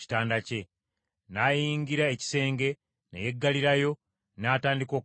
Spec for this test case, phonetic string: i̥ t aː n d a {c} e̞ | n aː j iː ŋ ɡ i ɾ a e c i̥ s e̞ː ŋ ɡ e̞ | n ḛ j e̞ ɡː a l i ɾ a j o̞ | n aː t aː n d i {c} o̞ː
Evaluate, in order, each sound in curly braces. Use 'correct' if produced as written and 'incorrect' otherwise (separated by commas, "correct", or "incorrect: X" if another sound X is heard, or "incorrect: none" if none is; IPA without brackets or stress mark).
correct, incorrect: k